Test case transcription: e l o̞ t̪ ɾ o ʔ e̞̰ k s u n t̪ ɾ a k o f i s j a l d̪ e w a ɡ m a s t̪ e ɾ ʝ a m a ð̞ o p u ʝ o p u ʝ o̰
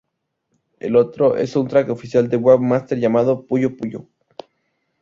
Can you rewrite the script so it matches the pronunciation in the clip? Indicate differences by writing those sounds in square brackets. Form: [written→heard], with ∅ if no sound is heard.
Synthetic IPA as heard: e l o̞ t̪ ɾ o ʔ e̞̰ [k→∅] s u n t̪ ɾ a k o f i s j a l d̪ e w a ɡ m a s t̪ e ɾ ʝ a m a ð̞ o p u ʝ o p u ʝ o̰